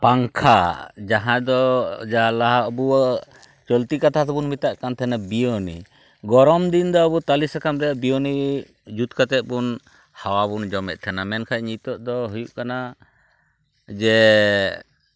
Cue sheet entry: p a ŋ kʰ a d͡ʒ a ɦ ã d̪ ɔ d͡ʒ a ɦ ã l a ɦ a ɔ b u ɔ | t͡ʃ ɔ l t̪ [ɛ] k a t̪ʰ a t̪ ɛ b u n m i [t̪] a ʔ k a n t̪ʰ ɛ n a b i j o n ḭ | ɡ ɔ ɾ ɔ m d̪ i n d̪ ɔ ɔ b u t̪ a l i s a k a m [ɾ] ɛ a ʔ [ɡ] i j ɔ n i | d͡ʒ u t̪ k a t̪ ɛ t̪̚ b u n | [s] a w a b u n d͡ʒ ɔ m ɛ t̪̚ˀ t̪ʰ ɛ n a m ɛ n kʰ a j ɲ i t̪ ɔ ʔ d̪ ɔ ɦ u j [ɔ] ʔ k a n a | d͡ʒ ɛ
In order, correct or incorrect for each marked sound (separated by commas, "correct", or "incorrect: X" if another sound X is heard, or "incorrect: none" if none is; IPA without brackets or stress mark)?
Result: incorrect: i, correct, correct, incorrect: b, incorrect: h, incorrect: u